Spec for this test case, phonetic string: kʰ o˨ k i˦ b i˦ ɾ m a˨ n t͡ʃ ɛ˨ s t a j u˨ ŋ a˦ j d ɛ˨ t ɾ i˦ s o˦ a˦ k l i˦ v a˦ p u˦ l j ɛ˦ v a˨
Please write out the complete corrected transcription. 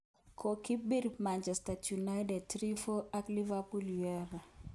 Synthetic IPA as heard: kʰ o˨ k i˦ b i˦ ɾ m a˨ n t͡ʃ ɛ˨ s t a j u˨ n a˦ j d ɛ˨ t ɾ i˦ f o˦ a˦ k l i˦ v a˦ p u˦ l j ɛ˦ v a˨